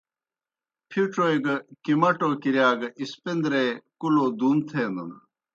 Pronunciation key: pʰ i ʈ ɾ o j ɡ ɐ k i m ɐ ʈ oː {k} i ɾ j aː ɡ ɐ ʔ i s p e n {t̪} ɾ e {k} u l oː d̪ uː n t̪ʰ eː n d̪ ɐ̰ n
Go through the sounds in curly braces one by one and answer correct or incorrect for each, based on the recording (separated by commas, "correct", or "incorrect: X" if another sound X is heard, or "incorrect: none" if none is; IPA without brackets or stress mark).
correct, incorrect: d̪, correct